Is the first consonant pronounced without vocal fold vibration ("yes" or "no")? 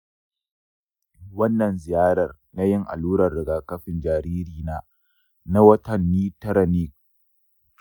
no